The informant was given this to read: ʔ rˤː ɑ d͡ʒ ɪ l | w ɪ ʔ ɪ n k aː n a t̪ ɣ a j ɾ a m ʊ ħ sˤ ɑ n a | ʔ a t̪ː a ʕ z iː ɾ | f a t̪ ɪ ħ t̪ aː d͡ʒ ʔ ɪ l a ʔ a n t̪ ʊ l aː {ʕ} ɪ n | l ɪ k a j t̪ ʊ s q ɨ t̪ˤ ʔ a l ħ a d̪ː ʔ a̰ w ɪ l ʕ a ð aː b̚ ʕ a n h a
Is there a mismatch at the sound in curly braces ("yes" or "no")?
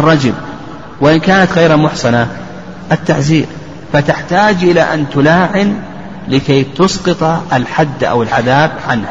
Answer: no